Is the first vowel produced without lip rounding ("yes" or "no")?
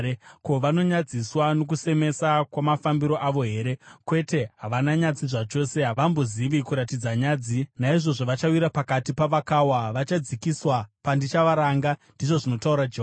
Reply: no